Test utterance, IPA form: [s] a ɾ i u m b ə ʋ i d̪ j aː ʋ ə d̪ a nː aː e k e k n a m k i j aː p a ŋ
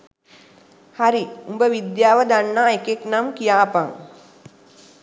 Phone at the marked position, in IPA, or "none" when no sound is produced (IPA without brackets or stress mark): h